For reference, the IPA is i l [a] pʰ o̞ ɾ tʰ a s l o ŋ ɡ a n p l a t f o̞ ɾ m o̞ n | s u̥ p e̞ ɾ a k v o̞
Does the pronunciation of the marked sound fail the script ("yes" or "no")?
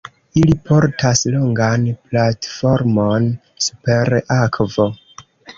yes